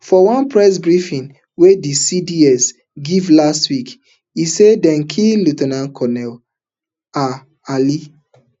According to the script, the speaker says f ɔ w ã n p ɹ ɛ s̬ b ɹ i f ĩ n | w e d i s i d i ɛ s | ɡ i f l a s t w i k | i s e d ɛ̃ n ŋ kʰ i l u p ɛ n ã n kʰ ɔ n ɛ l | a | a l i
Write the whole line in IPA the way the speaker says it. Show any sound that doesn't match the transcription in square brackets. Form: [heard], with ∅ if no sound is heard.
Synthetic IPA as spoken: f ɔ w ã n p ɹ ɛ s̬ b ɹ i f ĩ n | w e d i s i d i ɛ s | ɡ i [v] l a s t w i k | i s e d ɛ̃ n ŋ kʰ i l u [t] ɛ n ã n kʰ ɔ n ɛ l | a | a l i